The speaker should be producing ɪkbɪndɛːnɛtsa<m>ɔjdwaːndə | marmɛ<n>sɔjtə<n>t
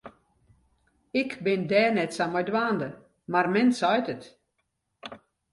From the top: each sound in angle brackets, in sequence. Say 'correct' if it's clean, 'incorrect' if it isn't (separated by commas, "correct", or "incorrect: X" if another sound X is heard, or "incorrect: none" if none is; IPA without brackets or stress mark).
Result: correct, correct, incorrect: none